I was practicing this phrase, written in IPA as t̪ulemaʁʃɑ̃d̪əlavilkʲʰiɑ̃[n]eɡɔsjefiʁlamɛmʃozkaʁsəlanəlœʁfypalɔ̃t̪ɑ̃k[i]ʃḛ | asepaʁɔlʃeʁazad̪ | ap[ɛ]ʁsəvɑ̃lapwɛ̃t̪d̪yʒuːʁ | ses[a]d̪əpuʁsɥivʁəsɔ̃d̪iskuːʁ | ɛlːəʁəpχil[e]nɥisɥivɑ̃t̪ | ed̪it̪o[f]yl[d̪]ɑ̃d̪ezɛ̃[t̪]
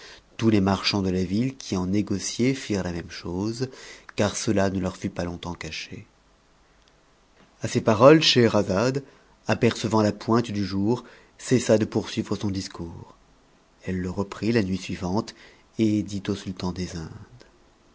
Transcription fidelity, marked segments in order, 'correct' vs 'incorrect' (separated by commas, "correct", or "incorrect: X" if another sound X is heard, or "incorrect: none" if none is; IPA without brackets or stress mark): correct, incorrect: a, correct, correct, incorrect: a, incorrect: s, incorrect: t̪, incorrect: d̪